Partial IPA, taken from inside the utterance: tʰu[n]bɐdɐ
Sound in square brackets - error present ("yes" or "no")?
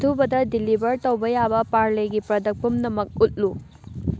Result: yes